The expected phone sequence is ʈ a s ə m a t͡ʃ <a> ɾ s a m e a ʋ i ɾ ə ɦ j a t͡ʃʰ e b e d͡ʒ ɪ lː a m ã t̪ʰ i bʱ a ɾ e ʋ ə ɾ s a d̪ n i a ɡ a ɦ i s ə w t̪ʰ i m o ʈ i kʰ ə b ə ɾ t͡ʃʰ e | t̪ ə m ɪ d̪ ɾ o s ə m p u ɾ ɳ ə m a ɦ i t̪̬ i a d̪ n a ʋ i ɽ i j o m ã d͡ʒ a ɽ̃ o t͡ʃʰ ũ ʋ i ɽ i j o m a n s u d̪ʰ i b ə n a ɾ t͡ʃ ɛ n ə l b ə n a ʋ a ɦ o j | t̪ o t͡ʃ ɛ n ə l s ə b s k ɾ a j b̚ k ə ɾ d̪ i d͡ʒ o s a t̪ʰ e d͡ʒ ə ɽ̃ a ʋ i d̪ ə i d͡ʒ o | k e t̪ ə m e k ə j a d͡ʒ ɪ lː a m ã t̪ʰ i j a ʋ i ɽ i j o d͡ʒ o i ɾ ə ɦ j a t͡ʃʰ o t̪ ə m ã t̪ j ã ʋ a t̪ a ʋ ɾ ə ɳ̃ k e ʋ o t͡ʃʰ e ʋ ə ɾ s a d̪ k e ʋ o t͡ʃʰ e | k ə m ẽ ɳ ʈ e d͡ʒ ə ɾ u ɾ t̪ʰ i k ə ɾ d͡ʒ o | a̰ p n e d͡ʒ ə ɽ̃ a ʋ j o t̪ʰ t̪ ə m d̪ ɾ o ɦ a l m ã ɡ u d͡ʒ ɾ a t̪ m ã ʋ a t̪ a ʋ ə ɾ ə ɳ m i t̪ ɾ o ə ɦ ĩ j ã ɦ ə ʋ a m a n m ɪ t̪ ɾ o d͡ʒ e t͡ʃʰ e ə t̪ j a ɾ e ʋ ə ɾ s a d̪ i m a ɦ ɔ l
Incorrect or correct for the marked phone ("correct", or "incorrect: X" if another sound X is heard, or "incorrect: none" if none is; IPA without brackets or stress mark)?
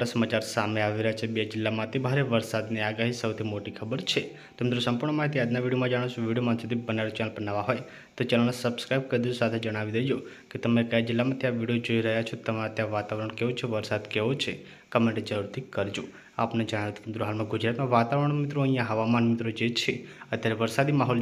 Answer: correct